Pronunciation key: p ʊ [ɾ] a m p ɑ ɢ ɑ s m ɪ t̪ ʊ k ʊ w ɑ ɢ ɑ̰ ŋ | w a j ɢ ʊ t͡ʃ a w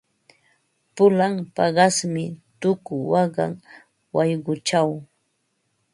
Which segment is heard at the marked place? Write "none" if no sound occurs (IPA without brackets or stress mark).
l